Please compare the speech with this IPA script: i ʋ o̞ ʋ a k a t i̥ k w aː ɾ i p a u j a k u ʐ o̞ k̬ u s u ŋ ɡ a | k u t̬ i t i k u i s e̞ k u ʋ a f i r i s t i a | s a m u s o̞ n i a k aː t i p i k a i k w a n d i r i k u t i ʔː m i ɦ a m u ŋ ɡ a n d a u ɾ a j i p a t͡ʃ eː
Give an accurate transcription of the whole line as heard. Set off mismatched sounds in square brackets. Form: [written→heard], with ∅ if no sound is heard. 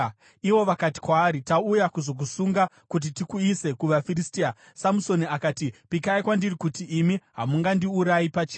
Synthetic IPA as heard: i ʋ o̞ ʋ a k a t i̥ k w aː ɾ i [p→t] a u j a k u [ʐ→z] o̞ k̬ u s u ŋ ɡ a | k u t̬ i t i k u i s e̞ k u ʋ a f i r i s t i a | s a m u s o̞ n i a k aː t i p i k a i k w a n d i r i k u t i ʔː m i ɦ a m u ŋ ɡ a n d [a→i] u ɾ a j i p a t͡ʃ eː